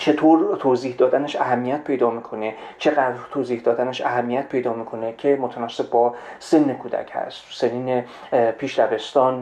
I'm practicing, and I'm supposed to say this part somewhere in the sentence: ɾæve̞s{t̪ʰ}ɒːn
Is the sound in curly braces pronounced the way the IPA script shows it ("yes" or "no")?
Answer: no